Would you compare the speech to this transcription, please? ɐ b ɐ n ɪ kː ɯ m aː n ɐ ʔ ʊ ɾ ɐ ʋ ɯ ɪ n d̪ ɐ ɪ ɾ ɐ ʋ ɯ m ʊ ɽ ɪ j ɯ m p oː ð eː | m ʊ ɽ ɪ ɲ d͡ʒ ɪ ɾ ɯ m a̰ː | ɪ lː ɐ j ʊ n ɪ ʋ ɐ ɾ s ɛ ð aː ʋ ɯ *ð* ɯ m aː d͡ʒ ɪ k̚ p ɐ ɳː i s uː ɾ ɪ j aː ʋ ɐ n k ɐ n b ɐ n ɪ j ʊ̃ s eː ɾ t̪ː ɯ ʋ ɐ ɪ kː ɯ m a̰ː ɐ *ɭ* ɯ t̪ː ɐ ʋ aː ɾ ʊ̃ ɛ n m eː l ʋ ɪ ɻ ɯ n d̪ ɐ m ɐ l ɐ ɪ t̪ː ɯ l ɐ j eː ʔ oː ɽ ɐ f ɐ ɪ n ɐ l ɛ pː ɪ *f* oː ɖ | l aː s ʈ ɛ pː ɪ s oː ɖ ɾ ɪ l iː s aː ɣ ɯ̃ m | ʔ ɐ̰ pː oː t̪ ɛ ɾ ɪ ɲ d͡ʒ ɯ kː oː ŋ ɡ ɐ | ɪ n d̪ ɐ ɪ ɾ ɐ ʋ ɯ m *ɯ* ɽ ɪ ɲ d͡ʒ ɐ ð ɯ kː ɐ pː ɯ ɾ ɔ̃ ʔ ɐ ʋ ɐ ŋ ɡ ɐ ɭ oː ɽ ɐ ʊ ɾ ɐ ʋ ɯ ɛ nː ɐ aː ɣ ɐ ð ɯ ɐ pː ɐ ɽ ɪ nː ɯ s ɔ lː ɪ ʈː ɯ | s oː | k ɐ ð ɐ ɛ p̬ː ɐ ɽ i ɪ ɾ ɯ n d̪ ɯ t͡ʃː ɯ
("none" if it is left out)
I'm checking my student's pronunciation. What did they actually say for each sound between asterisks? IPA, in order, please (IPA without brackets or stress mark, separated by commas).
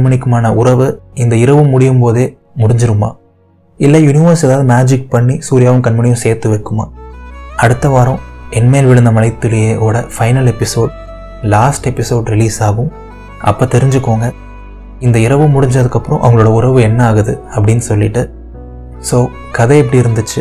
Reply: ð, ɽ, s, ʊ